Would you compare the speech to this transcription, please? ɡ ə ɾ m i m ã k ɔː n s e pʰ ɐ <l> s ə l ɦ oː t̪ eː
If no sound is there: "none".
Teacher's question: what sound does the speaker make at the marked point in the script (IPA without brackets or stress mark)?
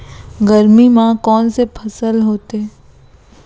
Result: none